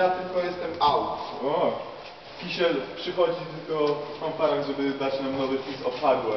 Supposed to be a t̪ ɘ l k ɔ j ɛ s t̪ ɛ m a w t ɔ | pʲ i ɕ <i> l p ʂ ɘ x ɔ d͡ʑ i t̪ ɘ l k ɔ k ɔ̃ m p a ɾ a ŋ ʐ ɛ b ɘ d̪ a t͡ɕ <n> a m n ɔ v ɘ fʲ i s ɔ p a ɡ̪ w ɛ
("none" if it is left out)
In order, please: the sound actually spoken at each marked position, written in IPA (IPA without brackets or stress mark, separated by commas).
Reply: ɛ, n